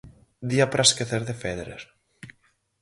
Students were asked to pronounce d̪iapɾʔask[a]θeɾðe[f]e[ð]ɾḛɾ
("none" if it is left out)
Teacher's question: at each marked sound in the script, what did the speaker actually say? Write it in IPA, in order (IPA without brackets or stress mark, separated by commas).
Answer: e, f, ð